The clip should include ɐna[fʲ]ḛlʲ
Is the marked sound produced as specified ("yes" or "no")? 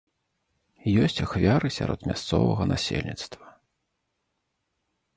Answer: no